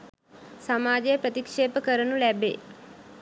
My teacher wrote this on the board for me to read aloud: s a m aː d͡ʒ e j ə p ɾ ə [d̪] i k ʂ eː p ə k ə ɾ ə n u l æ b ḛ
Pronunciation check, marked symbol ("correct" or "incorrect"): incorrect